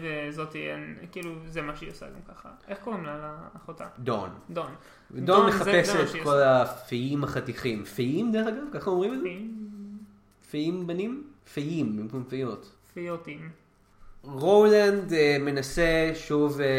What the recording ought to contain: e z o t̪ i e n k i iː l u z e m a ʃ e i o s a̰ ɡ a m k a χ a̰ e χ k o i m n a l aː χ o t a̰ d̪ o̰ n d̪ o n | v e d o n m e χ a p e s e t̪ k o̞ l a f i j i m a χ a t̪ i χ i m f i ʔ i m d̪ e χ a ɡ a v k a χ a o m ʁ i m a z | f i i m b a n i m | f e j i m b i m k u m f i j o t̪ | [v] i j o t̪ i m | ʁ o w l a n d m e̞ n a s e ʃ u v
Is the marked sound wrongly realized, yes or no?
yes